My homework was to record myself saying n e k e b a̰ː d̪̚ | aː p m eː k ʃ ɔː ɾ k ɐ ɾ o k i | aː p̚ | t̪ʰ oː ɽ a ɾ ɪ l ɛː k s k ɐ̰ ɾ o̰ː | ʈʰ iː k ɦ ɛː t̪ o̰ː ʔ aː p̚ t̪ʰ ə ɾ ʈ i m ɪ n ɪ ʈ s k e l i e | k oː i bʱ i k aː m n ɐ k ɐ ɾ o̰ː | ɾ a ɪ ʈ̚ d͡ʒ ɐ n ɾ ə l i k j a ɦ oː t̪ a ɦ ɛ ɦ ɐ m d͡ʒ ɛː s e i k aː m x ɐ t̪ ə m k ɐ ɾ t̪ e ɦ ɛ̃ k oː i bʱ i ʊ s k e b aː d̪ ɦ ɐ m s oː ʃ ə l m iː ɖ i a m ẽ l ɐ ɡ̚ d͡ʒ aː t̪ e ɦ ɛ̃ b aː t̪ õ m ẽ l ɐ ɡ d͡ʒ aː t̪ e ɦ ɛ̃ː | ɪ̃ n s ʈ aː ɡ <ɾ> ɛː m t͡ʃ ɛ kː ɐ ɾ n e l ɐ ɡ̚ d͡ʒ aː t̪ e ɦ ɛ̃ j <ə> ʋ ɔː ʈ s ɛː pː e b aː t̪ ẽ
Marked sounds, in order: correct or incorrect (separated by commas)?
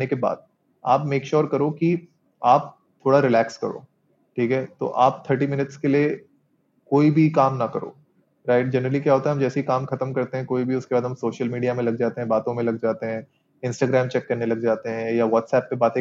correct, incorrect